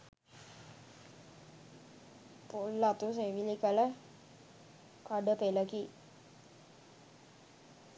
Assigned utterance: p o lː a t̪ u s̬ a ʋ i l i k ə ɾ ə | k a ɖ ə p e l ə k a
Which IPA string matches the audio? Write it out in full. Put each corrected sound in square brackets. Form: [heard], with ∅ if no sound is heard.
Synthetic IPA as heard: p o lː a t̪ u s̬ [e] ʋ i l i k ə [l] ə | k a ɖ ə p e l ə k [i]